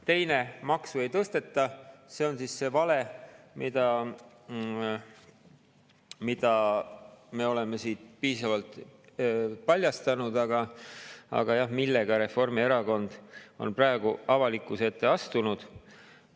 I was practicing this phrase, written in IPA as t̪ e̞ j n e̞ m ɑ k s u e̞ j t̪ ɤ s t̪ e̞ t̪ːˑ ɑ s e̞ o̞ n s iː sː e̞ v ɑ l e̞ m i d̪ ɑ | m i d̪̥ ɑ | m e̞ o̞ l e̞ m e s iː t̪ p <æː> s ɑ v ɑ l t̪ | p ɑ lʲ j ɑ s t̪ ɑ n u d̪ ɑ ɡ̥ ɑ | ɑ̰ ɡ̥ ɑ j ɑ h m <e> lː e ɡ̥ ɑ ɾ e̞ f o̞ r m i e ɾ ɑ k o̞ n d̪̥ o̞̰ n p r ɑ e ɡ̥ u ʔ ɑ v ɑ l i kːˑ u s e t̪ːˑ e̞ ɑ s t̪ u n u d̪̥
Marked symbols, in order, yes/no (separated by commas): no, no